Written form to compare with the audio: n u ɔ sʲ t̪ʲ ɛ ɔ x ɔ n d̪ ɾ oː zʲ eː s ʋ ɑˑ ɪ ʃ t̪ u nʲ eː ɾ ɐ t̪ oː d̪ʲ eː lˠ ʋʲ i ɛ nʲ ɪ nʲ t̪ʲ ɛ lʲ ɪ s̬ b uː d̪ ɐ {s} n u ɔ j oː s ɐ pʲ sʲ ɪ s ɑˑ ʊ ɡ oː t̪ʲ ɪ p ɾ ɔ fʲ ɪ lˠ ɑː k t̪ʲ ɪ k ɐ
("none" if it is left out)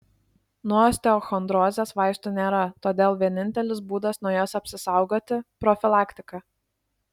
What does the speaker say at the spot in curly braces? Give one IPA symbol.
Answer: s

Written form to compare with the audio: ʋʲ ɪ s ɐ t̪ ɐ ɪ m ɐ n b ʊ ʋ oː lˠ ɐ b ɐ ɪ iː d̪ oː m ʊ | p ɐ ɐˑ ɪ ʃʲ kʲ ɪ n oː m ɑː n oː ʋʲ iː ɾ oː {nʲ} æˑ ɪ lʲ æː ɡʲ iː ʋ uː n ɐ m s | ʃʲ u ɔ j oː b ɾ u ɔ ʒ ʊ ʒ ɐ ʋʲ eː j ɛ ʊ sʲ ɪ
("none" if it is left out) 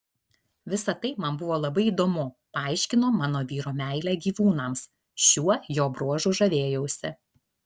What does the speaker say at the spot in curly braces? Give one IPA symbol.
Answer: mʲ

